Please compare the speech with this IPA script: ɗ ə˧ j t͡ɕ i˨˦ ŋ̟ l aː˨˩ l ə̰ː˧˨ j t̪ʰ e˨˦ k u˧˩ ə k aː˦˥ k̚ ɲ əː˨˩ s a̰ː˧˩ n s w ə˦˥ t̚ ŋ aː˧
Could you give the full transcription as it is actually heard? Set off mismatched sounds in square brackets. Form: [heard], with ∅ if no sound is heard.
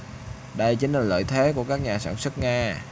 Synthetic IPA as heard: ɗ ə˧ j t͡ɕ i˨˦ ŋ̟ l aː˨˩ l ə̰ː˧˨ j t̪ʰ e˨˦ k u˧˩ ə k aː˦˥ k̚ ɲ [aː˨˩] s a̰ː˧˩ n s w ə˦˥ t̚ ŋ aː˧